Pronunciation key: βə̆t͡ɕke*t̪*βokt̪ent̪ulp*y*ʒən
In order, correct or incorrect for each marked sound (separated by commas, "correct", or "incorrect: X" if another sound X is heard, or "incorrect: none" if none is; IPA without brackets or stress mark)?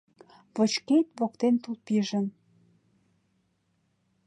correct, incorrect: i